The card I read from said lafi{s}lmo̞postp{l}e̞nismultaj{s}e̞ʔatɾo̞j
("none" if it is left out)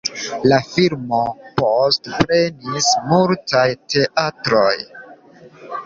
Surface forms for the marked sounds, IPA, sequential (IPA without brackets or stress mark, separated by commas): none, ɾ, t